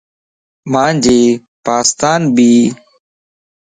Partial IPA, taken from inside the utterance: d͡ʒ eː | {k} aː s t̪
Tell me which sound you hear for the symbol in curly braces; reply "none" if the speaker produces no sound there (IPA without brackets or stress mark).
p